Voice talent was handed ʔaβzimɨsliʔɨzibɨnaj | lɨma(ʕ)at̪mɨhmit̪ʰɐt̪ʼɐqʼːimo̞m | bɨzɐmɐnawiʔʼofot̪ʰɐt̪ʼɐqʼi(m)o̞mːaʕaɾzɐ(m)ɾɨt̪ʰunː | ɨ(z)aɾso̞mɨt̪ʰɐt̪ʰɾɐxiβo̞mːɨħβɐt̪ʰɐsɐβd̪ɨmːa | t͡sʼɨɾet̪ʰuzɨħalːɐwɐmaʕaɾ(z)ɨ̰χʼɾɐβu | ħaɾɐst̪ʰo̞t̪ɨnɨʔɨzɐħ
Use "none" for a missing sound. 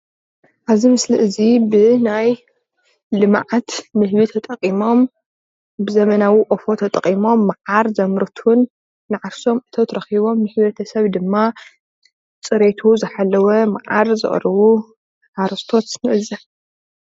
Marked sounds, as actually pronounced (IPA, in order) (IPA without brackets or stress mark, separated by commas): ʕ, m, m, ʕ, z